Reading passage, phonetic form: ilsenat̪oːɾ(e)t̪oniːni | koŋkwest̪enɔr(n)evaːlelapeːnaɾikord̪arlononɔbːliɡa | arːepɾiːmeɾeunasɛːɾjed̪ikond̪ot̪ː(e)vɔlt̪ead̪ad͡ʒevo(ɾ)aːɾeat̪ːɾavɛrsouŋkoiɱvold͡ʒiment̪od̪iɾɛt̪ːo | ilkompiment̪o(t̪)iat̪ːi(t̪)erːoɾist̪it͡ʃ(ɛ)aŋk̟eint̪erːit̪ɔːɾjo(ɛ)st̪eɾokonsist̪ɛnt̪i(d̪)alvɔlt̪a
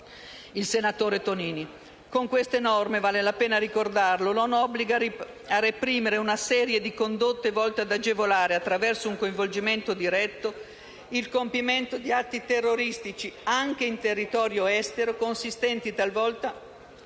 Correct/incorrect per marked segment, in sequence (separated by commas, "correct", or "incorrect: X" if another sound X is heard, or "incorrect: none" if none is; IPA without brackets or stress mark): correct, incorrect: m, correct, incorrect: l, incorrect: d̪, correct, incorrect: i, correct, incorrect: t̪